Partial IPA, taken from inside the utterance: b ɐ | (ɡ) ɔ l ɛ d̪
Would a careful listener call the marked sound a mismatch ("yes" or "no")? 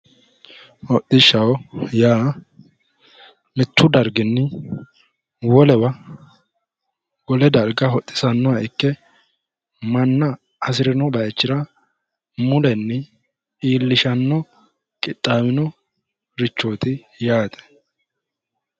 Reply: no